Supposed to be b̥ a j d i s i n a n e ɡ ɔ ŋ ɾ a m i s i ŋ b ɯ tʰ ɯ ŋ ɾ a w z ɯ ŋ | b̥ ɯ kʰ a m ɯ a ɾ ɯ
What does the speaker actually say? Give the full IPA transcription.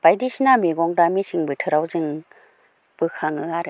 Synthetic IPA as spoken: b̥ a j d i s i n a m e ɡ ɔ ŋ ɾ a m i s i ŋ b ɯ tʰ ɯ ɾ a w z ɯ ŋ | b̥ ɯ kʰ a ŋ ɯ a ɾ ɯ